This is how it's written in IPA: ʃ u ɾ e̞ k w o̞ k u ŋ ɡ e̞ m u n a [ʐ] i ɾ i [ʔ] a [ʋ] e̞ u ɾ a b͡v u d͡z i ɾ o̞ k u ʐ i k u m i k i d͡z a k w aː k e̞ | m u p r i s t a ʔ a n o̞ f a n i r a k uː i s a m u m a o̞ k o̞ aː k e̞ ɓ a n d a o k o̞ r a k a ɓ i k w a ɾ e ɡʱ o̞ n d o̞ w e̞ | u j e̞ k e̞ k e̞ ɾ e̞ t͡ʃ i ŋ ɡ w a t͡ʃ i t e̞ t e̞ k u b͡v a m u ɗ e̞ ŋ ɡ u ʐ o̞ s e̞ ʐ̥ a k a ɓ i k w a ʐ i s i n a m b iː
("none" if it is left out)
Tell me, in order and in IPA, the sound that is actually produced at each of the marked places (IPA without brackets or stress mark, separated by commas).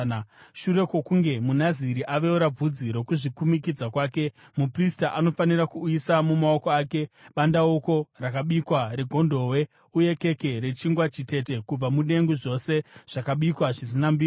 z, ʔ, ʋ